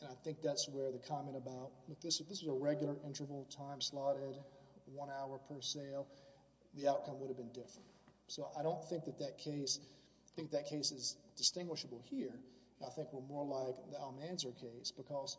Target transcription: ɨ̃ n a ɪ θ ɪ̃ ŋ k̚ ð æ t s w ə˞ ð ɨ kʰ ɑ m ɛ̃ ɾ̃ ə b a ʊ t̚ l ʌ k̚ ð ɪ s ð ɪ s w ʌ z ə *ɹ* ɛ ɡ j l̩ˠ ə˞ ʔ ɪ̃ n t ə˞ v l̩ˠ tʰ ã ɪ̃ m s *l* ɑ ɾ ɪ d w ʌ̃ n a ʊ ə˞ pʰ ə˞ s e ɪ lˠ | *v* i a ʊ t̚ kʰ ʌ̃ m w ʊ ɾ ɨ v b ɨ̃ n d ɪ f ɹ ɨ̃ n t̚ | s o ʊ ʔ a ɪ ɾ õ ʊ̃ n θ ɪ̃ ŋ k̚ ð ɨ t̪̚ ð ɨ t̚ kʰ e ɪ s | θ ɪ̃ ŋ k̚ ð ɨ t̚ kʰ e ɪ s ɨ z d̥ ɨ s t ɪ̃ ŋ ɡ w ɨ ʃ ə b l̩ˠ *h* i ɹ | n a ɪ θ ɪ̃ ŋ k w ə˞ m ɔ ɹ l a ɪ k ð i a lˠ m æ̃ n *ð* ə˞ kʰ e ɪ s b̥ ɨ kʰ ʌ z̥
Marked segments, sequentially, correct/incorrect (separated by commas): correct, correct, incorrect, correct, incorrect